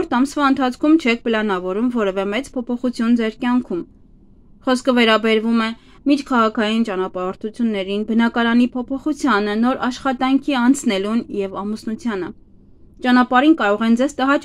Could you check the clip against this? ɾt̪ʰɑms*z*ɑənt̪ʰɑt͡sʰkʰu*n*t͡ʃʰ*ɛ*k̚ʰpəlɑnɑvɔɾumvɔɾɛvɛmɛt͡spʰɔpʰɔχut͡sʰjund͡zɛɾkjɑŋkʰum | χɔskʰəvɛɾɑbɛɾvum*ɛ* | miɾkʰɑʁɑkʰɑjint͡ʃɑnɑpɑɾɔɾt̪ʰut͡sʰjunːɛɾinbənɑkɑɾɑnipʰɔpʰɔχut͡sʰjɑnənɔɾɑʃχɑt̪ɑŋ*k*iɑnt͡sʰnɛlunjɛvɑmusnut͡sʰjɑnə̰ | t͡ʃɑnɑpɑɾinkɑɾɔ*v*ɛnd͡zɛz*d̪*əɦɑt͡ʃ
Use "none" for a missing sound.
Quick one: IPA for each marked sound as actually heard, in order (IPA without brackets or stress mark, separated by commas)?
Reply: v, m, ɛ, ɛ, kʰ, ʁ, t̪